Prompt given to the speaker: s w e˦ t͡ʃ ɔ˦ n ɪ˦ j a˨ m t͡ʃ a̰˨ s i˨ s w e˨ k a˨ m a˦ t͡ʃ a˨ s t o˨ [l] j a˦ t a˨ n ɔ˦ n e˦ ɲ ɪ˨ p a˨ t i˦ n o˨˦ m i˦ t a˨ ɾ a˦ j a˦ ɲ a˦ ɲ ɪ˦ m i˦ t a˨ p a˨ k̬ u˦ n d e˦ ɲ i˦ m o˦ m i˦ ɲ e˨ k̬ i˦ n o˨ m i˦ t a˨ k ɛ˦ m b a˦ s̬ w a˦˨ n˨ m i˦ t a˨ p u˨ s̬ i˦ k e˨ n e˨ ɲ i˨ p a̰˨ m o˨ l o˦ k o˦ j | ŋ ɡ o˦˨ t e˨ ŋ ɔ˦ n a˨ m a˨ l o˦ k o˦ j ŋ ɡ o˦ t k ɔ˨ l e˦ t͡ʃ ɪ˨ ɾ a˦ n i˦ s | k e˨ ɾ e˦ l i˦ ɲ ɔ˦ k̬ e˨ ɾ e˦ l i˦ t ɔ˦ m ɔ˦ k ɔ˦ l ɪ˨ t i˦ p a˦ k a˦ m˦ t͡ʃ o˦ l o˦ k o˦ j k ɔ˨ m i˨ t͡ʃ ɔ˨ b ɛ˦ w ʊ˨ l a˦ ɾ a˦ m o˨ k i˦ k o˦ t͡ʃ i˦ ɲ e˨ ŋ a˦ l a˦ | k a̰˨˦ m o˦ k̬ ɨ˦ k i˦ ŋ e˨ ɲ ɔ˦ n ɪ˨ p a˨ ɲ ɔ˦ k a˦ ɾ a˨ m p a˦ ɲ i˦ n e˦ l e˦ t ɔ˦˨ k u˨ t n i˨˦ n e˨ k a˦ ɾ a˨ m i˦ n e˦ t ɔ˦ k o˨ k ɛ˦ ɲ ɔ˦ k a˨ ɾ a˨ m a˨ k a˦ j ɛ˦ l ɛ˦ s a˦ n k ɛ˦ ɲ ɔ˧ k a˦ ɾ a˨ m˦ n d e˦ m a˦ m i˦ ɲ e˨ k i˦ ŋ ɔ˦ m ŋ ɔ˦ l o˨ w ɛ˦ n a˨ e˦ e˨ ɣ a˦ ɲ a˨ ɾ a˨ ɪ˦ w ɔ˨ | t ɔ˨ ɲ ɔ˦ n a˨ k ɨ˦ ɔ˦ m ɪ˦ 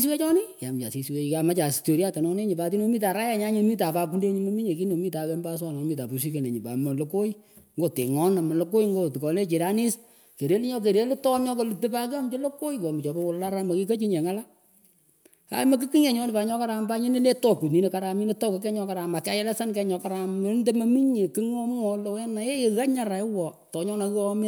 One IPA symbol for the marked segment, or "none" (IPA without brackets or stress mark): ɾ